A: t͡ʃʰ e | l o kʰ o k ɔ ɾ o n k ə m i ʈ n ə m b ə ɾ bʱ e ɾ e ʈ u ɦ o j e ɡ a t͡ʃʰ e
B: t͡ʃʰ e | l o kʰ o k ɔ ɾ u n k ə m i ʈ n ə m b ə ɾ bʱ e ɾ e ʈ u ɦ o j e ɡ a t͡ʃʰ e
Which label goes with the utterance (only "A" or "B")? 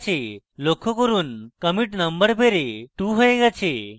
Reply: B